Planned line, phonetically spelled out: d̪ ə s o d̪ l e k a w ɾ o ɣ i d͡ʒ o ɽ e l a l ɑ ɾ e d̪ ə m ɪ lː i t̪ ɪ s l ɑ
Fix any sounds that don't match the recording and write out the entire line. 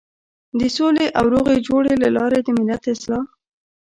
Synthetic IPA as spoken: d̪ ə s o l e ʔ a w ɾ o ɣ e d͡ʒ o ɽ e l a l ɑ ɾ e d̪ ə m ɪ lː a t̪ ɪ s l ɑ